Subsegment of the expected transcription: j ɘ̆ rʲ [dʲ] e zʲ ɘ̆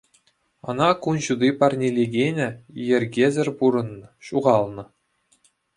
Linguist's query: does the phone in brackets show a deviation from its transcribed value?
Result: yes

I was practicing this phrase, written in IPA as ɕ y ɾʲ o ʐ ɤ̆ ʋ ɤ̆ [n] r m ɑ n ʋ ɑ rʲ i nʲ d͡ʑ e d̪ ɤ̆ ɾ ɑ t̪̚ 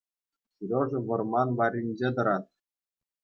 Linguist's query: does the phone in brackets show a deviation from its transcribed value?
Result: yes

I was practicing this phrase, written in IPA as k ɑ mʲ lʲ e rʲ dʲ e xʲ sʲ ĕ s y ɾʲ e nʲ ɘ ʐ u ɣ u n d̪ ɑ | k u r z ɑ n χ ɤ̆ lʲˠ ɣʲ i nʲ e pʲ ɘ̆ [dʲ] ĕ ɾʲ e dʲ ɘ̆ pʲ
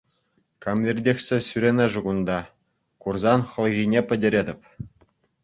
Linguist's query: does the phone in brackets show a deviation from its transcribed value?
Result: no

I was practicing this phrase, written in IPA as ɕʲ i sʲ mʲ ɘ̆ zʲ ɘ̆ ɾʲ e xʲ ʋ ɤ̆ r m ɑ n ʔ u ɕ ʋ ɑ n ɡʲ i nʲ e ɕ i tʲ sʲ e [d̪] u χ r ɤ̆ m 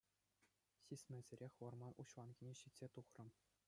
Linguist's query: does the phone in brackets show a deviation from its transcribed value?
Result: yes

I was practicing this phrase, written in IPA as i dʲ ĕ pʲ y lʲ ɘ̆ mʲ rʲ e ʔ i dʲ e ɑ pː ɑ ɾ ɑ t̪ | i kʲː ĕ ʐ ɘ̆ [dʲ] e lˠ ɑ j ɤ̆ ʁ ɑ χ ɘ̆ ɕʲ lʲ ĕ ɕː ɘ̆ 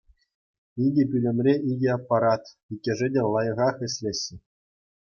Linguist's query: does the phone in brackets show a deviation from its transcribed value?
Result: no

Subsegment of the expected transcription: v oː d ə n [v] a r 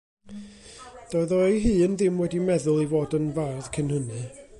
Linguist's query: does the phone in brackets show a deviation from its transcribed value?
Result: no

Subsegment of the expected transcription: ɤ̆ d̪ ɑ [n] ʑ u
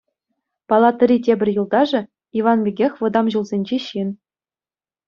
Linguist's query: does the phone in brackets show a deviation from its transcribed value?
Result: yes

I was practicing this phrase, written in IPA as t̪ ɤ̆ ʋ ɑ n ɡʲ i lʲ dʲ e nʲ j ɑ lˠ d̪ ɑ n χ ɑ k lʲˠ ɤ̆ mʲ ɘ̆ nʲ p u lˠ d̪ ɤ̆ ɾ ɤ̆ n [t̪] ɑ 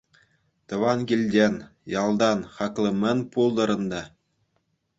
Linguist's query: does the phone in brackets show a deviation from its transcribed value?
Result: yes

